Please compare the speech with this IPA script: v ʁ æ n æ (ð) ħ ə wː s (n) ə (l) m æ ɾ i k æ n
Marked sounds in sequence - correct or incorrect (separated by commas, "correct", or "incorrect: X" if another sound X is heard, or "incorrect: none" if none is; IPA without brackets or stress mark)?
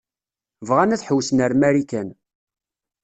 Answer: incorrect: θ, correct, incorrect: ɾ